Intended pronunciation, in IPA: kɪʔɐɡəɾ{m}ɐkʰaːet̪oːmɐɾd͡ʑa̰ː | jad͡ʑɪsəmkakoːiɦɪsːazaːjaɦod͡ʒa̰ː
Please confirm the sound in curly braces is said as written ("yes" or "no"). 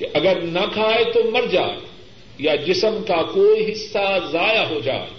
no